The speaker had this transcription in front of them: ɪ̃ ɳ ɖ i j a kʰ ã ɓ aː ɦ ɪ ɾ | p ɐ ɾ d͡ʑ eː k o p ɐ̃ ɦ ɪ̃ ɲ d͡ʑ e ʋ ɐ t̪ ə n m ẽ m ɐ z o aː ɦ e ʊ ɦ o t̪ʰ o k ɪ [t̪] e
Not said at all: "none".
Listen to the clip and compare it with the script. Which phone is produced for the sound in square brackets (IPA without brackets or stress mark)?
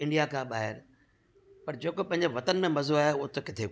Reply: t̪ʰ